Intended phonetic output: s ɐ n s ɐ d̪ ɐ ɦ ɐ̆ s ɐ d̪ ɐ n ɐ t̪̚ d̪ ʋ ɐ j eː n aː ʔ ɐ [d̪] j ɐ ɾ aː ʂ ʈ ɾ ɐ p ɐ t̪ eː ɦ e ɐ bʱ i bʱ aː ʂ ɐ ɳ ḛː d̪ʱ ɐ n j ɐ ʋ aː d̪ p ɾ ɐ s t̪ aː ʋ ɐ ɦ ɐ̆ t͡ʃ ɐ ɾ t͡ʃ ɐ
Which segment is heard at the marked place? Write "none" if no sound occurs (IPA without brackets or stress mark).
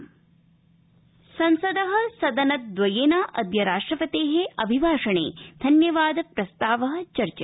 d̪